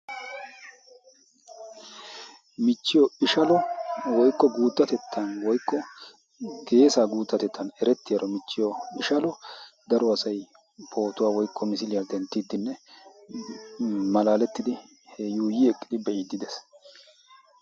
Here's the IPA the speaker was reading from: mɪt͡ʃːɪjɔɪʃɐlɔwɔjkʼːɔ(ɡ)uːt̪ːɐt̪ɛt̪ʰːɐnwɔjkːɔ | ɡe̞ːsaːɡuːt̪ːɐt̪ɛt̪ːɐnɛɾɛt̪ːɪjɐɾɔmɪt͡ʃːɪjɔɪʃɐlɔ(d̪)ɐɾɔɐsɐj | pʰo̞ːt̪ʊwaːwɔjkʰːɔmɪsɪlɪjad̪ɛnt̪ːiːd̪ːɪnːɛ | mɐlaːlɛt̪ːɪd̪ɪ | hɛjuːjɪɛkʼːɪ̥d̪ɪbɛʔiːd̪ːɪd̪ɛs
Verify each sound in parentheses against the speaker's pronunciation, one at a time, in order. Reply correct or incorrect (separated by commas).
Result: correct, correct